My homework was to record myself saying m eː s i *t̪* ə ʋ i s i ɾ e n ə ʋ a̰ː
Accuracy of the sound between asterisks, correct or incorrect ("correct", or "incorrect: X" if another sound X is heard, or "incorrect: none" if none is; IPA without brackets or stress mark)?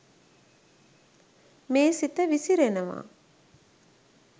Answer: correct